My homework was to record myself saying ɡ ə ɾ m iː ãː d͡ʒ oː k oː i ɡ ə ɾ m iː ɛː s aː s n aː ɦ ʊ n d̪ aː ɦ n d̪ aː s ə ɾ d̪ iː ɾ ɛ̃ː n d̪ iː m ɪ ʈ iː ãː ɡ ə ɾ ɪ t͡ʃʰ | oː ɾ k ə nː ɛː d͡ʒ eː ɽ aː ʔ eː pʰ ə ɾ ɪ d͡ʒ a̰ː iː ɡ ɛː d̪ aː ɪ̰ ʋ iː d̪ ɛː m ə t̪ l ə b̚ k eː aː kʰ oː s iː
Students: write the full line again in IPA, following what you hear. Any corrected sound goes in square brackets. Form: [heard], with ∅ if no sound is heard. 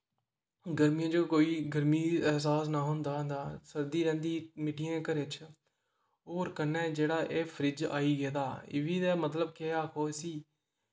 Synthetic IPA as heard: ɡ ə ɾ m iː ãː d͡ʒ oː k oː [iː] ɡ ə ɾ m iː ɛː s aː s n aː ɦ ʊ n d̪ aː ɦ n d̪ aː s ə ɾ d̪ iː ɾ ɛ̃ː n d̪ iː m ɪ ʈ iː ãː [k] ə ɾ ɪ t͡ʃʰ | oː ɾ k ə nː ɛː d͡ʒ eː ɽ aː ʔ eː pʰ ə ɾ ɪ d͡ʒ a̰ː iː ɡ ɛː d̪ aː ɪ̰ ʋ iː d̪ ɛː m ə t̪ l ə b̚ k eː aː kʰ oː s iː